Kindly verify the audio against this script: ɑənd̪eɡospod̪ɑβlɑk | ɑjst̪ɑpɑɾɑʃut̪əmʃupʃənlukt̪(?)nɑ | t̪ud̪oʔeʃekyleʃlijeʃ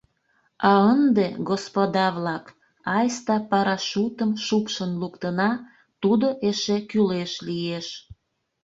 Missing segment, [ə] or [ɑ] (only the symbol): ə